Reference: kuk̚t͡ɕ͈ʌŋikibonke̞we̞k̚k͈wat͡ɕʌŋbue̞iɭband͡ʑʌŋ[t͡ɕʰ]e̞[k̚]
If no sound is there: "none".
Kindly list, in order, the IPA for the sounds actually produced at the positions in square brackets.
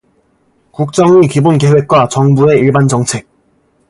t͡ɕʰ, k̚

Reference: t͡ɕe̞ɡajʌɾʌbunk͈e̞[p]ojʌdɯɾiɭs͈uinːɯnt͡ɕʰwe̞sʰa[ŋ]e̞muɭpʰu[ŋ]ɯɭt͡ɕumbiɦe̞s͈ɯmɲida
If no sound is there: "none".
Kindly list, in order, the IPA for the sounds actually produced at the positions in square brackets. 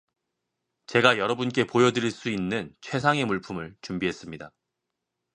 p, ŋ, m

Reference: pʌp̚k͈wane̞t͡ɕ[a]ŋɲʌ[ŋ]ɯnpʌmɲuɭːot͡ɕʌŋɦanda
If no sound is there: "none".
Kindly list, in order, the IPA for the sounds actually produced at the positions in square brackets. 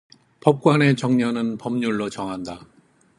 ʌ, n

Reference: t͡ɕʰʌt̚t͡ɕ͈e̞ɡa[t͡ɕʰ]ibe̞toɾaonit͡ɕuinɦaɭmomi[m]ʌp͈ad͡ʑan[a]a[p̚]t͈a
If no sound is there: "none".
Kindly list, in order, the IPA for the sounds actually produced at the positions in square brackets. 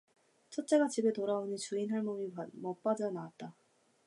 t͡ɕ, m, a, t̚

